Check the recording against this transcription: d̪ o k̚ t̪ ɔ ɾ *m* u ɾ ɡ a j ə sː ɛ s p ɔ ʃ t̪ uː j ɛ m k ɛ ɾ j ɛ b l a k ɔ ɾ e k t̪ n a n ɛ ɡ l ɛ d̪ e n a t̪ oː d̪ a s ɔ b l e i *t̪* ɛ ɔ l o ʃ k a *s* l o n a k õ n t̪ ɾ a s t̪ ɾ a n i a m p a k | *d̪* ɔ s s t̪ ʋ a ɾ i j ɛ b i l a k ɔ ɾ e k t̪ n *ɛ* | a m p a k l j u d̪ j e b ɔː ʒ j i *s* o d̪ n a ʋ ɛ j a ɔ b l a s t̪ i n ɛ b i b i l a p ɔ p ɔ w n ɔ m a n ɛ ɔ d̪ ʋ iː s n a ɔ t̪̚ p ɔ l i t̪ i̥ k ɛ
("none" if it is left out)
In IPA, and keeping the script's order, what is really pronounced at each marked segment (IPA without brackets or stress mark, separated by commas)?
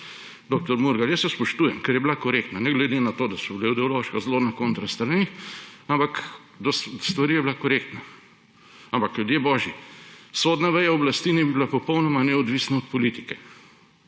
m, d̪, z, d̪, a, s